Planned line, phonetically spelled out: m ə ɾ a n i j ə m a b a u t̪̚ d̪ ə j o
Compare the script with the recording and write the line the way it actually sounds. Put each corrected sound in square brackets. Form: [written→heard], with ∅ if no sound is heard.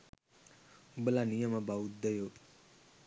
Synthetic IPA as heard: [m→b] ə [ɾ→l] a n i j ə m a b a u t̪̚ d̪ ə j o